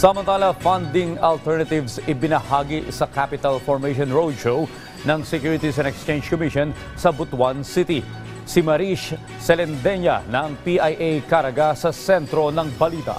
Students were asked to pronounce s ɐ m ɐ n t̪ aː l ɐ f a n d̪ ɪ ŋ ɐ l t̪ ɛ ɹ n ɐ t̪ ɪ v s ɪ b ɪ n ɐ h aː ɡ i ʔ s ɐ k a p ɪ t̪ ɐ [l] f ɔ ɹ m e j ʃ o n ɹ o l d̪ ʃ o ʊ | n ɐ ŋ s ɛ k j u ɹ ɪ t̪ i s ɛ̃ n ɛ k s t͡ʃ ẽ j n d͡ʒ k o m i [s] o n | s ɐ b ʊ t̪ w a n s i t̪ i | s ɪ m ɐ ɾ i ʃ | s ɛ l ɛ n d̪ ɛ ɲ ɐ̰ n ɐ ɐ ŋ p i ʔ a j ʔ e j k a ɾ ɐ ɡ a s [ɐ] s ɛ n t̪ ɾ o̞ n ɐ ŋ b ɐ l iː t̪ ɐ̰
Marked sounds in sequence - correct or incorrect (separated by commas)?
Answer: correct, incorrect, correct